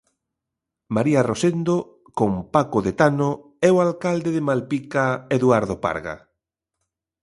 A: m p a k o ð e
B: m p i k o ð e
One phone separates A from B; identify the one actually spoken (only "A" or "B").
A